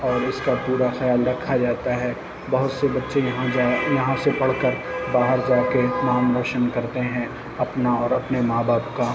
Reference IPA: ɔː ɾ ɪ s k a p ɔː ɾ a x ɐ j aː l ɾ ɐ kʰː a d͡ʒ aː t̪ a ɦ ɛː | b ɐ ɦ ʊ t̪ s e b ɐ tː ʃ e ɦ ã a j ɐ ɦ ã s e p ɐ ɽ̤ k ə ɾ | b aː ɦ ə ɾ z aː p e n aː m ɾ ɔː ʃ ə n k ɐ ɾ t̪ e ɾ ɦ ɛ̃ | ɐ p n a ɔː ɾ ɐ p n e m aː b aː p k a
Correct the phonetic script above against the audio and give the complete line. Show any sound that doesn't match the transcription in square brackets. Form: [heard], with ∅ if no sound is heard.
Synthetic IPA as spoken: ɔː ɾ ɪ s k a p [uː] ɾ a x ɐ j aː l ɾ ɐ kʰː a d͡ʒ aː t̪ a ɦ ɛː | b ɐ ɦ ʊ t̪ s e b ɐ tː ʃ e ɦ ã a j ɐ ɦ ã s e p ɐ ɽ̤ k ə ɾ | b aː ɦ ə ɾ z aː [k] e n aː m ɾ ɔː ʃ ə n k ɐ ɾ t̪ e [∅] ɦ ɛ̃ | ɐ p n a ɔː ɾ ɐ p n e m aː b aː p k a